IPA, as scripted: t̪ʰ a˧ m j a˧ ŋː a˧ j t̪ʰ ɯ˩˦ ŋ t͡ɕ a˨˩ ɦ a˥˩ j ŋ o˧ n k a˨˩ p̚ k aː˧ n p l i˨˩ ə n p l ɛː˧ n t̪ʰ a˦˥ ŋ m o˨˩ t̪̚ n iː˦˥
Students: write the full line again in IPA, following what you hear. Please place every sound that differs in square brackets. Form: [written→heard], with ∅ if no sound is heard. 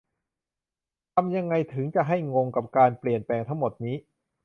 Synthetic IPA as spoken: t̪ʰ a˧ m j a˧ ŋː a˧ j t̪ʰ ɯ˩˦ ŋ t͡ɕ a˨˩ ɦ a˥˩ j ŋ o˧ [n→ŋ] k a˨˩ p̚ k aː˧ n p l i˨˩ ə n p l ɛː˧ [n→ŋ] t̪ʰ a˦˥ ŋ m o˨˩ t̪̚ n iː˦˥